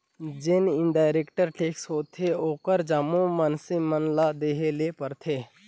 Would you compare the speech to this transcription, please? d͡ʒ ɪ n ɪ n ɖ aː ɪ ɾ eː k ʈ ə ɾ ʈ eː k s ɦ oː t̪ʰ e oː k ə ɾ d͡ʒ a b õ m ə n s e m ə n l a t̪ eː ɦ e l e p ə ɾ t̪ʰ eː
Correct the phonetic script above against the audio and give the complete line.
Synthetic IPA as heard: d͡ʒ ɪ n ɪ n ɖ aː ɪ ɾ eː k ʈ ə ɾ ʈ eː k s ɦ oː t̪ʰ e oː k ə ɾ d͡ʒ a m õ m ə n s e m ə n l a d̪ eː ɦ e l e p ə ɾ t̪ʰ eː